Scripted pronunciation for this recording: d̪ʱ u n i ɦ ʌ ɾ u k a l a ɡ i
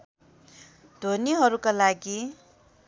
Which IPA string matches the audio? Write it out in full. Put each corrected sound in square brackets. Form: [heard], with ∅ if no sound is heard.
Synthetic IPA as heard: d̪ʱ [o] n i ɦ ʌ ɾ u k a l a ɡ i